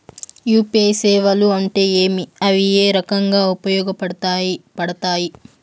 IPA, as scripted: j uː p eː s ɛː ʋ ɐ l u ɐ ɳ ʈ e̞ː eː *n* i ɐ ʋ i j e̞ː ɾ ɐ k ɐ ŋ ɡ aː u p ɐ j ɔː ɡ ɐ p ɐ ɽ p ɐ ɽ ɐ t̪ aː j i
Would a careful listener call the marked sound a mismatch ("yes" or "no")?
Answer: yes